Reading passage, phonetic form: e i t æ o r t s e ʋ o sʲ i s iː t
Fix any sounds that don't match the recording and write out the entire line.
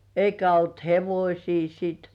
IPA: e i k æ o l t h e ʋ o sʲ iː s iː t